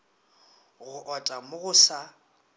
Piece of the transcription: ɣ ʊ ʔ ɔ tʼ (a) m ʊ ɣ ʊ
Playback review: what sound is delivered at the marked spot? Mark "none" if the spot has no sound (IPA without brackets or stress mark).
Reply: a